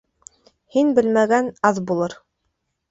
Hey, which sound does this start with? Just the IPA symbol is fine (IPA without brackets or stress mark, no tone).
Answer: h